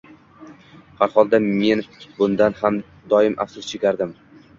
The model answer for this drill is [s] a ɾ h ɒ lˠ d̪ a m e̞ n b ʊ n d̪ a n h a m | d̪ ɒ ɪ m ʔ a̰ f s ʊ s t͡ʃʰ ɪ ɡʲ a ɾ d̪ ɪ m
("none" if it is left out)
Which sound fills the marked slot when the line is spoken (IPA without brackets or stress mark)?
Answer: h